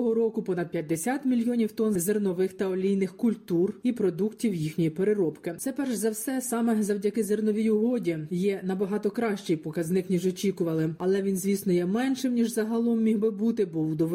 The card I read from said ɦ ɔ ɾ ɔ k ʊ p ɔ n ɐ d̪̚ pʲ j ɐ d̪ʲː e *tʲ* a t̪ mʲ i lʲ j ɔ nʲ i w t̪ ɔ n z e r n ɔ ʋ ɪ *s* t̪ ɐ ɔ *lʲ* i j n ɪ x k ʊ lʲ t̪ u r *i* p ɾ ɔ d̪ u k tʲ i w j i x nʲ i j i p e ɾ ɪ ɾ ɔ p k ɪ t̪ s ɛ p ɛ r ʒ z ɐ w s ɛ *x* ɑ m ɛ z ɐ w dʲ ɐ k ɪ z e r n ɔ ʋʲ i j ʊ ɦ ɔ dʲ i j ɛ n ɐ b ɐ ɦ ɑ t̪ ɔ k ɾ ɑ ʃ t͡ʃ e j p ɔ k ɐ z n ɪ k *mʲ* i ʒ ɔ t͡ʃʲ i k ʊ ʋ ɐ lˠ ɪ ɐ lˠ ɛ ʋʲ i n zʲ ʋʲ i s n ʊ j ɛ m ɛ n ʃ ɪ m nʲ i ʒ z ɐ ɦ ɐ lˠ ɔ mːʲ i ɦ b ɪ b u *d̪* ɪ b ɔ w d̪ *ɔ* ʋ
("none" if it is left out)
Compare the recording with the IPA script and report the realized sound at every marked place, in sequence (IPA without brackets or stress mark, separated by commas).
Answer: sʲ, x, lʲ, i, s, nʲ, t̪, ɔ